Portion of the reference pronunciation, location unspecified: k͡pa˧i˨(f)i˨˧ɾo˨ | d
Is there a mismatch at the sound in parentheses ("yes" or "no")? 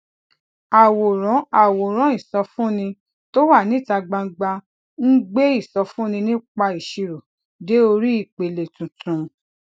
yes